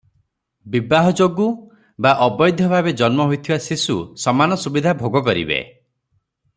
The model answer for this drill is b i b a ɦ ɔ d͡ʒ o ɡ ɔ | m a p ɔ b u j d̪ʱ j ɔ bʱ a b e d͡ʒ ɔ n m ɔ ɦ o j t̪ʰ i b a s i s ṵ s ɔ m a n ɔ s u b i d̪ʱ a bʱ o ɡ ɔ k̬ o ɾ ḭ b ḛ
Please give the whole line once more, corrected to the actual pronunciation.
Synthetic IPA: b i b a ɦ ɔ d͡ʒ o ɡ u | b a ʔ ɔ b ɔ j d̪ʱ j ɔ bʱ a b e d͡ʒ ɔ n m ɔ ɦ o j t̪ʰ i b a s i s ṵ s ɔ m a n ɔ s u b i d̪ʱ a bʱ o ɡ ɔ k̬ ɔ ɾ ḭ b ḛ